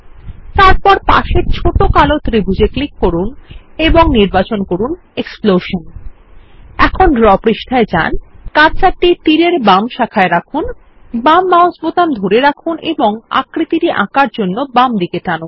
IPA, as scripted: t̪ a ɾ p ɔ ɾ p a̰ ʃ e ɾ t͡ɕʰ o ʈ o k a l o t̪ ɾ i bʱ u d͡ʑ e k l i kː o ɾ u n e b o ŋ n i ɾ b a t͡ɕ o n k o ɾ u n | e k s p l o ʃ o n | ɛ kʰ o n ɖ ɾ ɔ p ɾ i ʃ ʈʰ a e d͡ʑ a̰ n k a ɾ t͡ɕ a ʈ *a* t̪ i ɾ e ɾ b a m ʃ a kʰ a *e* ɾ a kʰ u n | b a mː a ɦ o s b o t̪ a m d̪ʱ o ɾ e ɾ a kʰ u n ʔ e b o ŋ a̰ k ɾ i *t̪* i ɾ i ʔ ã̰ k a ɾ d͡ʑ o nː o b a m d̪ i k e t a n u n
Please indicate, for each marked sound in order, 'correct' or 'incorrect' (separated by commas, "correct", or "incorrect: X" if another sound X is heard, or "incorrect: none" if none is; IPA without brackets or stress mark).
incorrect: i, correct, correct